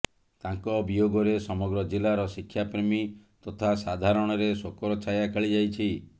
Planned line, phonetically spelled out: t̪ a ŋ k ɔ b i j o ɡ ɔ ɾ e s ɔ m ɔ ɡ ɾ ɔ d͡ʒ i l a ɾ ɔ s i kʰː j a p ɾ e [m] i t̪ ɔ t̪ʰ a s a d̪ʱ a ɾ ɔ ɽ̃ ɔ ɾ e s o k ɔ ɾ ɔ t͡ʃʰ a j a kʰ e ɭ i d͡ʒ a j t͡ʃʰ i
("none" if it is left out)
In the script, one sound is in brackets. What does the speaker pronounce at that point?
m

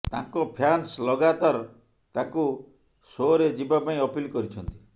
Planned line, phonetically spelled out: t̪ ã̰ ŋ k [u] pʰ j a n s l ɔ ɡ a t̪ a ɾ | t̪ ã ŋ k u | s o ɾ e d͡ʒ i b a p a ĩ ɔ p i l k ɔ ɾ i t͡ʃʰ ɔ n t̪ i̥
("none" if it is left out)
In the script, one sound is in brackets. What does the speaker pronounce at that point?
ɔ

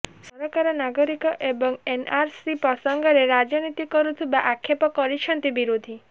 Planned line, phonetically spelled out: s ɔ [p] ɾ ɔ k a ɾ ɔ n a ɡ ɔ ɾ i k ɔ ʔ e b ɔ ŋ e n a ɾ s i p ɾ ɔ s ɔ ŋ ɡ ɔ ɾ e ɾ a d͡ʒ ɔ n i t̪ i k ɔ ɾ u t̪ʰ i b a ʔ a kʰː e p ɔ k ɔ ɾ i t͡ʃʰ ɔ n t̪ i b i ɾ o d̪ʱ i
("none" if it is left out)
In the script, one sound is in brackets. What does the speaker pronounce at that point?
none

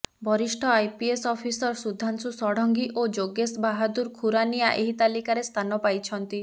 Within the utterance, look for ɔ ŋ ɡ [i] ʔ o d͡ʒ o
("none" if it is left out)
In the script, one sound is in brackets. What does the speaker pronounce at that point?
i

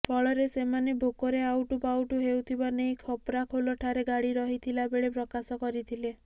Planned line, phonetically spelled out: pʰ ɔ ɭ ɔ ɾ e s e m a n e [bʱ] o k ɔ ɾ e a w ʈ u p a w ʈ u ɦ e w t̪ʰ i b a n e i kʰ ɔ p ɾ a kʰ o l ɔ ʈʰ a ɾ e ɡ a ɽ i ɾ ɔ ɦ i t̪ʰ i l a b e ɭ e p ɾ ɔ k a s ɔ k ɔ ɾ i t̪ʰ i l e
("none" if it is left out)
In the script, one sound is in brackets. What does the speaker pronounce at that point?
bʱ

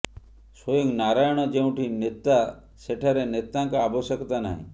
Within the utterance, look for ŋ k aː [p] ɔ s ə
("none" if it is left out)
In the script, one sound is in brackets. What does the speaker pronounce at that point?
b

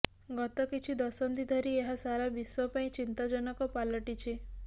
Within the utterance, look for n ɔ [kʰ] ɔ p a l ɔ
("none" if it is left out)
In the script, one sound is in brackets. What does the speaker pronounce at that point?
k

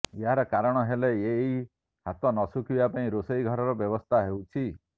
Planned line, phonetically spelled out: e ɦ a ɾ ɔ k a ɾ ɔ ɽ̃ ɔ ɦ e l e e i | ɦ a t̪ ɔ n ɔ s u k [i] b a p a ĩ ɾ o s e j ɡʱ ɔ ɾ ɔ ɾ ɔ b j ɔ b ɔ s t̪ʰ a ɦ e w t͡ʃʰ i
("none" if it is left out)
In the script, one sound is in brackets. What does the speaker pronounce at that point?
i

